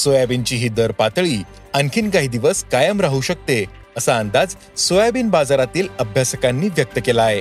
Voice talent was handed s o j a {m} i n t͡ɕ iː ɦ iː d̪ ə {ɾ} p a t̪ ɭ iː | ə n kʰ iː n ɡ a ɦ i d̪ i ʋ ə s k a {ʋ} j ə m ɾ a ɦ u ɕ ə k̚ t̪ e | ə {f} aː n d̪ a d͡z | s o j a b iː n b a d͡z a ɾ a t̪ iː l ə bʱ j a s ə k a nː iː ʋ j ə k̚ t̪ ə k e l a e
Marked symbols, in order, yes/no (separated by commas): no, yes, no, no